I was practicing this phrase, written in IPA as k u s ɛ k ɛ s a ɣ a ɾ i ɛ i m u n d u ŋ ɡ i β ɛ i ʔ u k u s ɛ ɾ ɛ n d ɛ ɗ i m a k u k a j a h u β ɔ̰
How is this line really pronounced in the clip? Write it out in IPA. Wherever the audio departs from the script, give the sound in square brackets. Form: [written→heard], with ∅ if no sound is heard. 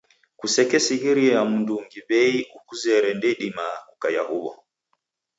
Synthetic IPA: k u s ɛ k ɛ s [a→i] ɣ [a→i] ɾ i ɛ [i→a] m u n d u ŋ ɡ i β ɛ i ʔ u k u [s→z] ɛ ɾ ɛ n d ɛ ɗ i m a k u k a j a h u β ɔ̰